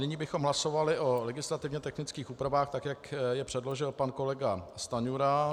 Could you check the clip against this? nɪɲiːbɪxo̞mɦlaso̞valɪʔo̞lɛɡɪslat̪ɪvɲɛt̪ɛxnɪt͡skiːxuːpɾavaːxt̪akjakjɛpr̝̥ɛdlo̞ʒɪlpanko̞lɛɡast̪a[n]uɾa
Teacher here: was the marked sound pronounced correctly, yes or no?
no